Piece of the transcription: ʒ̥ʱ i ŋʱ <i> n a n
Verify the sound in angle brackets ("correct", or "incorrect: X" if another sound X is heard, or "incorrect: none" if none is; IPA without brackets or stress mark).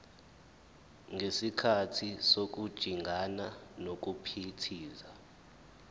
incorrect: a